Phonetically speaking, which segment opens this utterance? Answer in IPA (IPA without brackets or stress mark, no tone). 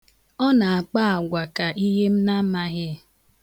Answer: ɔ